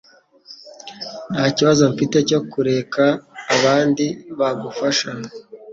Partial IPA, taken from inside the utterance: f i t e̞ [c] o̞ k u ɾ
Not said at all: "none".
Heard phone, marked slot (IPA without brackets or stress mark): c